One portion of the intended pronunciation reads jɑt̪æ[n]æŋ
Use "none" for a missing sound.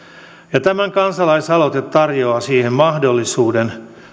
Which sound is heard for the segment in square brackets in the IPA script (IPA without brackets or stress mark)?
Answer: m